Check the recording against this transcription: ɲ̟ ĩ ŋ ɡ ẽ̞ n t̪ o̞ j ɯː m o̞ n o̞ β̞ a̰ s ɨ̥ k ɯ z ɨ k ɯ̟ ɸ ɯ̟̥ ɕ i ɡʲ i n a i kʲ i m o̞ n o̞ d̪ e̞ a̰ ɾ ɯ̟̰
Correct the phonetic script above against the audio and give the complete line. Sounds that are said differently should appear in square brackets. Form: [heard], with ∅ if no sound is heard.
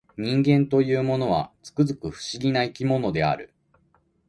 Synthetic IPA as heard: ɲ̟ ĩ ŋ ɡ ẽ̞ n t̪ o̞ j ɯː m o̞ n o̞ β̞ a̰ [t͡s] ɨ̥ k ɯ z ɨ k ɯ̟ ɸ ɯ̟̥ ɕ i ɡʲ i n a i kʲ i m o̞ n o̞ d̪ e̞ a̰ ɾ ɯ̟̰